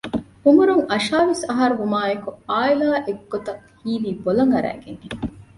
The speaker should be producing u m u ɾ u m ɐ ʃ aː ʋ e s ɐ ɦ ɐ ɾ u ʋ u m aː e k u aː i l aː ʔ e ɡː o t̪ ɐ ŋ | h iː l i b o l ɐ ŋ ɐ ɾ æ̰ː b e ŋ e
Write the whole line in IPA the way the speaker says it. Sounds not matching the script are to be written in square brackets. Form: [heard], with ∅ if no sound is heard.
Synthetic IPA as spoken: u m u ɾ u [ŋ] ɐ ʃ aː ʋ e s ɐ ɦ ɐ ɾ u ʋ u m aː e k u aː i l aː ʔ e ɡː o t̪ ɐ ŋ | h iː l [iː] b o l ɐ ŋ ɐ ɾ æ̰ː [ɡ] e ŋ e